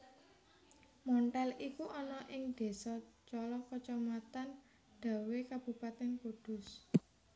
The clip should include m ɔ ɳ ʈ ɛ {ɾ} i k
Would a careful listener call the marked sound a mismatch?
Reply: yes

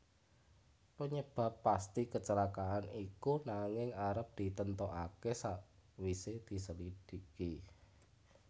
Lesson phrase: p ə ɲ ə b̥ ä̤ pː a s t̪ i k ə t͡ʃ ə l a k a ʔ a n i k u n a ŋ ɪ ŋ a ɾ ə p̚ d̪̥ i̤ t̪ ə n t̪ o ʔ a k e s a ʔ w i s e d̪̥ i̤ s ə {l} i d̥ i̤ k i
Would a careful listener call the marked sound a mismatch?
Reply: no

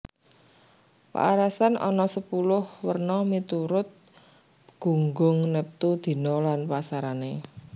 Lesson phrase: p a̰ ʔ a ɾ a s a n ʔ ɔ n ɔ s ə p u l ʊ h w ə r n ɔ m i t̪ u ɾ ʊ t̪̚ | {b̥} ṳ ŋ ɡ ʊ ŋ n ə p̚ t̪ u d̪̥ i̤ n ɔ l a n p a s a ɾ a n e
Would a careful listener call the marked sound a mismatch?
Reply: yes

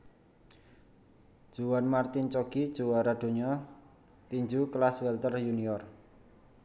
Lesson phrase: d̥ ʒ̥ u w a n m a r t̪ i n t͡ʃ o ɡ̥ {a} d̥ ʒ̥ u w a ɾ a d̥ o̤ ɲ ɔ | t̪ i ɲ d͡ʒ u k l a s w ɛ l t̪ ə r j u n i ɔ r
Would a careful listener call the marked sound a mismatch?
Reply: yes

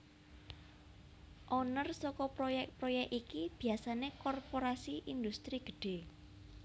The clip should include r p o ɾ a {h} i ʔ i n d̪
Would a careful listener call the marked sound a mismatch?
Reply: yes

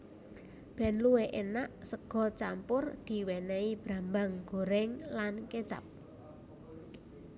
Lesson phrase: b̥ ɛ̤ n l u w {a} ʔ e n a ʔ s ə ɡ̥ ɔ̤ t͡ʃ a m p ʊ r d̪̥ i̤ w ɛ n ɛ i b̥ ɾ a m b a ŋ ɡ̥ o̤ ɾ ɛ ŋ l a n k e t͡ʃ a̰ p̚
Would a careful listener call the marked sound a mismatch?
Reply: yes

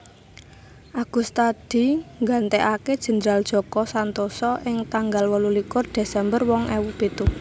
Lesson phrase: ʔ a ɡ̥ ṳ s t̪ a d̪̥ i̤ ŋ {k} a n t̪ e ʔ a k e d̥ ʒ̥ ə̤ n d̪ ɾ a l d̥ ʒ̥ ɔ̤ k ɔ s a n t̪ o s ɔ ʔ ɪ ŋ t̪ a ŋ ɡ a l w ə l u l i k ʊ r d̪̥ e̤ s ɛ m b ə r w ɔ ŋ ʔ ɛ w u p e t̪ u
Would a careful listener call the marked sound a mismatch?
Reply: yes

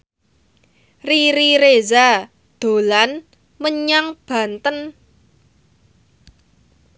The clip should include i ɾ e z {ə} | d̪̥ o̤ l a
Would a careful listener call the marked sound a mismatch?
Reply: yes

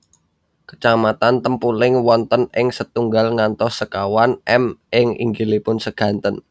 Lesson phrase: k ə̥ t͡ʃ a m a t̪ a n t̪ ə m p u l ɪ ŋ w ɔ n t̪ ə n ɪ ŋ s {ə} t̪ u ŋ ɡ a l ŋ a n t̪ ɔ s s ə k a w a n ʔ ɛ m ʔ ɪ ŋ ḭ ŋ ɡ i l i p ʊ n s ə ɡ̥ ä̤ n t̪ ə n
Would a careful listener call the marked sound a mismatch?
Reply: no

